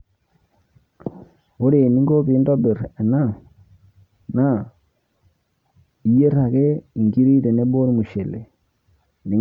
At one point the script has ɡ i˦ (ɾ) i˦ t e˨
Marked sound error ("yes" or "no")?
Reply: no